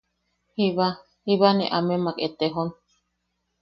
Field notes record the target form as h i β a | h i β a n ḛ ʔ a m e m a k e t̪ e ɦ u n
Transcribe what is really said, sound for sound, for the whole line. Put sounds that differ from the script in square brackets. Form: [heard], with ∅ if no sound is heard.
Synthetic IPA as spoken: h i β a | h i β a n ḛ ʔ a m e m a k e t̪ e ɦ [o] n